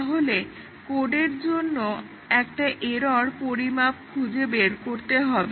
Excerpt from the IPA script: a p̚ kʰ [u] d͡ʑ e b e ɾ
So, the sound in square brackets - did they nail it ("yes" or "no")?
yes